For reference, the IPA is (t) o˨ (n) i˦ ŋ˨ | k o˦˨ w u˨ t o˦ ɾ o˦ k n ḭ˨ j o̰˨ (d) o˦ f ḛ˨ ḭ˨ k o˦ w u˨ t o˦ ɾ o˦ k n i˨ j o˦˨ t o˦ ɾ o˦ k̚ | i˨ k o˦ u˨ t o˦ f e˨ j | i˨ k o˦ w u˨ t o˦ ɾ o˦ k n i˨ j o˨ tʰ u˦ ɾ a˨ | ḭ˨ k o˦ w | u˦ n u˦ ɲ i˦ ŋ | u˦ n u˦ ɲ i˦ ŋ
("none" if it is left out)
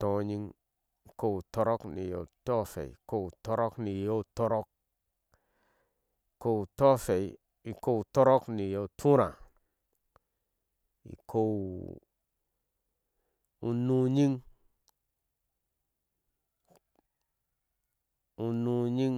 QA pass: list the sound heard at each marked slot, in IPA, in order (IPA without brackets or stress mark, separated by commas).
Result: t, ɲ, t